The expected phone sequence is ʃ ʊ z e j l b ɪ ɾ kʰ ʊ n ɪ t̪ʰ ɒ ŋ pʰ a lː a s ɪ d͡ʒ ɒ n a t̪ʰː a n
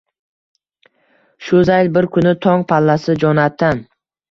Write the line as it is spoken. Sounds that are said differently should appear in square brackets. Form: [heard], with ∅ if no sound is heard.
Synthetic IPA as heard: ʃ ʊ z [a] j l b ɪ ɾ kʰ ʊ n ɪ t̪ʰ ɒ ŋ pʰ a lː a s ɪ d͡ʒ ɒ n a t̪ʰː a n